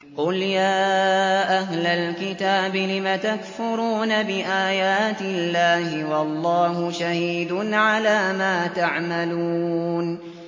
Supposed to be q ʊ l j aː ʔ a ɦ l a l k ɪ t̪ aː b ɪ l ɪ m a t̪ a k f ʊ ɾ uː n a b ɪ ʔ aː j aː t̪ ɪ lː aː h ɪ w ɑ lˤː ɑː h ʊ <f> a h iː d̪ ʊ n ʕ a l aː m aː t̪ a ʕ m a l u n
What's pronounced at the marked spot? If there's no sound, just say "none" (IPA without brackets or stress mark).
ʃ